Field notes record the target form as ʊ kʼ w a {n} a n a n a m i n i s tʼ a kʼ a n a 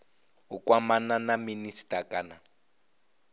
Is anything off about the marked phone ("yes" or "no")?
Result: yes